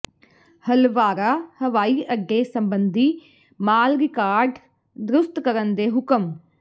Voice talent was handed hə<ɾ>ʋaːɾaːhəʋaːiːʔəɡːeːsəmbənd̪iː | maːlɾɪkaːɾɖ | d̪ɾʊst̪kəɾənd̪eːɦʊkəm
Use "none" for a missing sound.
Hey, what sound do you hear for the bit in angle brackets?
l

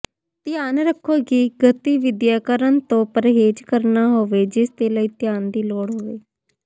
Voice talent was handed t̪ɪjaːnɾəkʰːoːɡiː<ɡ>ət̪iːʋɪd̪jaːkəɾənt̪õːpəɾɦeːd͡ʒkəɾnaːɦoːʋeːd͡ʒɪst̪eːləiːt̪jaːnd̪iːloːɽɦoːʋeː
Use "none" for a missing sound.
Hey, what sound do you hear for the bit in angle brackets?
ɡ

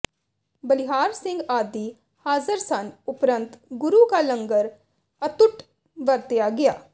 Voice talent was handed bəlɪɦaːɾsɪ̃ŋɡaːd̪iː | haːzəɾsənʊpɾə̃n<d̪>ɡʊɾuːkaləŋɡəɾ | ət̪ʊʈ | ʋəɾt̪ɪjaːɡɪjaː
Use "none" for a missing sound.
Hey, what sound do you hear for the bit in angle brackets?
t̪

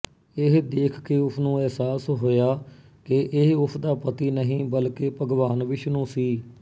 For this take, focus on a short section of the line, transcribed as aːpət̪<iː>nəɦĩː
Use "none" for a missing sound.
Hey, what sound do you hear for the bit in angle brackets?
iː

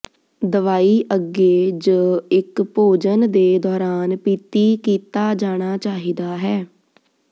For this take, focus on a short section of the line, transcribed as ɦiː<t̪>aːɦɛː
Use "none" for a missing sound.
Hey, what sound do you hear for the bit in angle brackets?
d̪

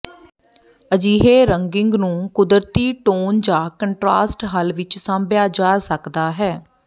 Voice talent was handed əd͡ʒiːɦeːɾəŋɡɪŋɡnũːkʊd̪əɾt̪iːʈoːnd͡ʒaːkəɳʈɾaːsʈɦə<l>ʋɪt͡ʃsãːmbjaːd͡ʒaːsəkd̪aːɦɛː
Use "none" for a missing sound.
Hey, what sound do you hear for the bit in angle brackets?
l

